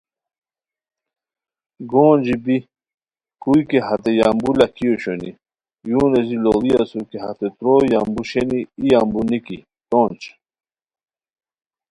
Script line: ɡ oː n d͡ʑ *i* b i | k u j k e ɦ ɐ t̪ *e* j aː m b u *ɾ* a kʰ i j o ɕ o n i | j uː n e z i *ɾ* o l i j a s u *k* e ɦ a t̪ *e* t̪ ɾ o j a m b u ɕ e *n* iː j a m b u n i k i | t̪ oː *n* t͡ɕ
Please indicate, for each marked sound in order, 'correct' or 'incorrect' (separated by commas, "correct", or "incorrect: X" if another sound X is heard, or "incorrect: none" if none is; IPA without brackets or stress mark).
correct, correct, incorrect: l, incorrect: l, correct, correct, correct, correct